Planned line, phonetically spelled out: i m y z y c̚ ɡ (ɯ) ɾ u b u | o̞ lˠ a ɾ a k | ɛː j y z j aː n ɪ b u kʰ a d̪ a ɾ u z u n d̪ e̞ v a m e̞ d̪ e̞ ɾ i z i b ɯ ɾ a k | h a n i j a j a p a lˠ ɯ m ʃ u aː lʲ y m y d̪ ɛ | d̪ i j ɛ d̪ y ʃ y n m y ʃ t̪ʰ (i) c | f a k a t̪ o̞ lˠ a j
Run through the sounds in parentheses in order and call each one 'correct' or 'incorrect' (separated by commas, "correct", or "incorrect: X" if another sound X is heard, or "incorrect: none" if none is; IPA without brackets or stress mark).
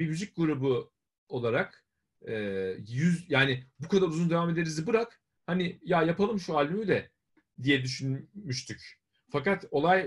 incorrect: u, incorrect: y